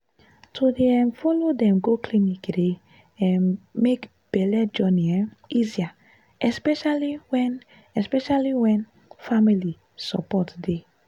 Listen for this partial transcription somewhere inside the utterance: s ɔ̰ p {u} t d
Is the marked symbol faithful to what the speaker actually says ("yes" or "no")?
no